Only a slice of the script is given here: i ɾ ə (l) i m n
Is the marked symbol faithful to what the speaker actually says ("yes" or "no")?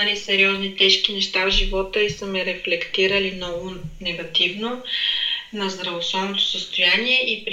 yes